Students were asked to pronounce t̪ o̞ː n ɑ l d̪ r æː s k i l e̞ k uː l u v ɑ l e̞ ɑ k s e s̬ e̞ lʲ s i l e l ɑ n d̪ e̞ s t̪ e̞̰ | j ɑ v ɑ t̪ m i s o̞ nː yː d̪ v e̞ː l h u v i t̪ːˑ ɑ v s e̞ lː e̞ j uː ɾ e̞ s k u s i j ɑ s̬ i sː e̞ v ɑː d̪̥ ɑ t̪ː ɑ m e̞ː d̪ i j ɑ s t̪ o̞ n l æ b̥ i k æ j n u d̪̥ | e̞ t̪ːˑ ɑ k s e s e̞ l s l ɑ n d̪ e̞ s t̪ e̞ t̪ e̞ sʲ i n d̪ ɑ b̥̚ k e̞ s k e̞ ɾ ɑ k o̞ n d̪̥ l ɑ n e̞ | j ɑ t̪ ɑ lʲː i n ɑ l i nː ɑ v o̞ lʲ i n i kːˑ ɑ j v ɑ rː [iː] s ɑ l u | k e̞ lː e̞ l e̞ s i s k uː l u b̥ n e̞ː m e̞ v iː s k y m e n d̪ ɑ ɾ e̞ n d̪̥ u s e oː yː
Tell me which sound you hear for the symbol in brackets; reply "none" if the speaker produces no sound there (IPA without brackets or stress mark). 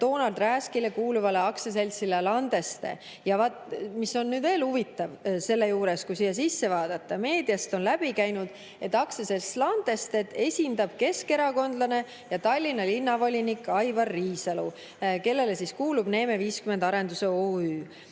iː